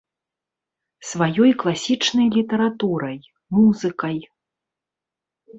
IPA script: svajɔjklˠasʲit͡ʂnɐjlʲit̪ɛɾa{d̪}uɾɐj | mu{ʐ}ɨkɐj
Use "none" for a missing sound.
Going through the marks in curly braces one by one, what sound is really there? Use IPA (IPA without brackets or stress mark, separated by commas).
t̪, z